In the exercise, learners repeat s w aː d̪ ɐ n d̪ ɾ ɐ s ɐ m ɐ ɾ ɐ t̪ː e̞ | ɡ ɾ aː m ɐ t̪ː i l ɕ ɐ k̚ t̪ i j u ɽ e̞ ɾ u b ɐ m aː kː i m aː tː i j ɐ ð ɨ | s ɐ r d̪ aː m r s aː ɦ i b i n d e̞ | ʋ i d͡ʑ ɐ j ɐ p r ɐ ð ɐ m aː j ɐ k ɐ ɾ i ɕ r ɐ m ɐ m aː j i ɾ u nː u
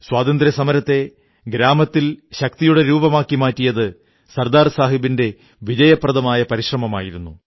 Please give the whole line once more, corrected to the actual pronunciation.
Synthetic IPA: s w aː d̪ ɐ n d̪ ɾ ɐ s ɐ m ɐ ɾ ɐ t̪ː e̞ | ɡ ɾ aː m ɐ t̪ː i l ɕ ɐ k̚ t̪ i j u ɽ e̞ ɾ uː b ɐ m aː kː i m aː tː i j ɐ ð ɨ | s ɐ r d̪ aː r s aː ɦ i b i n d e̞ | ʋ i d͡ʑ ɐ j ɐ p r ɐ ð ɐ m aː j ɐ p ɐ ɾ i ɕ r ɐ m ɐ m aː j i ɾ u nː u